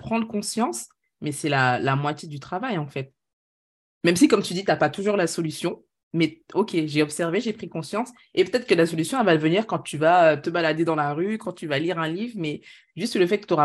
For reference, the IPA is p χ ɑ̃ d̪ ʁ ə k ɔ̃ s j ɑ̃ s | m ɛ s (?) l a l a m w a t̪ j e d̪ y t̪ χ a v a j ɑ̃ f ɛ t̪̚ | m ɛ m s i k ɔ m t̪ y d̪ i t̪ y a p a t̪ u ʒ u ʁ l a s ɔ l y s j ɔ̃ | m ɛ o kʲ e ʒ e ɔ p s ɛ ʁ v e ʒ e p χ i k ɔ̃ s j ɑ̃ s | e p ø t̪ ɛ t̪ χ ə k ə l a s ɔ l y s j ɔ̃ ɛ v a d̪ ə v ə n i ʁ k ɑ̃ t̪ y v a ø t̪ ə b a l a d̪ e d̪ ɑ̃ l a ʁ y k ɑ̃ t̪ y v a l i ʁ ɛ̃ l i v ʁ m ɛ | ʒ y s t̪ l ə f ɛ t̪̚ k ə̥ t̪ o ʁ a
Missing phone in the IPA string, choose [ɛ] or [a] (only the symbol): ɛ